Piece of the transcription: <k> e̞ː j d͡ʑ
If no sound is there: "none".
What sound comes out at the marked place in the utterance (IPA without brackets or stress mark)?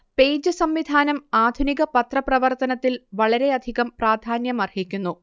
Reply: p